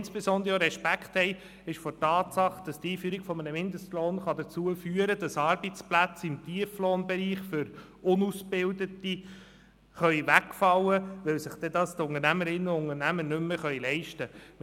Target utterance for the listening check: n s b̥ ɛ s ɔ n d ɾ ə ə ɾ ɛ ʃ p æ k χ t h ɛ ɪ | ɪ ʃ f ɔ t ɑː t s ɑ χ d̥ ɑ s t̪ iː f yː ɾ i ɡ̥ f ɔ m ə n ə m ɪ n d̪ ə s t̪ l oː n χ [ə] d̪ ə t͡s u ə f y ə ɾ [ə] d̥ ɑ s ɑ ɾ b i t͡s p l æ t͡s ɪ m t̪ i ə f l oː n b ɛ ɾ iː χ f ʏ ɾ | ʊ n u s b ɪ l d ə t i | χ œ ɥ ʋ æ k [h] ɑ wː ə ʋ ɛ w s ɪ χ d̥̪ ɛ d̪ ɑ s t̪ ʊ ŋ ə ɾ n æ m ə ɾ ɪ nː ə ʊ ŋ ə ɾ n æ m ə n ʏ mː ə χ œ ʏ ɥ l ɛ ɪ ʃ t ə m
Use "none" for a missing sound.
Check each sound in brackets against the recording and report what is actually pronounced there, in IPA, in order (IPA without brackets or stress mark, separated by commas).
ɑ, ə, f